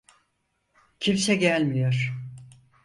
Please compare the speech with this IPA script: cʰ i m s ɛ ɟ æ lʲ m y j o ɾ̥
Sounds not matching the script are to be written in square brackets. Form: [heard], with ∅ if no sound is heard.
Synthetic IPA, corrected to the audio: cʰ i m s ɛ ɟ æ lʲ m [i] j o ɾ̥